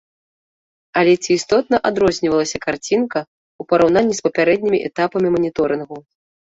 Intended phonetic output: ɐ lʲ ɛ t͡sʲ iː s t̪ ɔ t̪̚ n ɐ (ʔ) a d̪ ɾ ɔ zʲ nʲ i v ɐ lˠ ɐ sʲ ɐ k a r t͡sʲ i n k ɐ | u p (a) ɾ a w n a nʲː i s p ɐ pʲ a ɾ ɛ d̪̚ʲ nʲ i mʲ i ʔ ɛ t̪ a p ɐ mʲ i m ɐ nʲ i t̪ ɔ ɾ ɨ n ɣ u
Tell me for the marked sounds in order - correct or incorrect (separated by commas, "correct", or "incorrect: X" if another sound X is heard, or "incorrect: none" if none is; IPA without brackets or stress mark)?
correct, incorrect: ɐ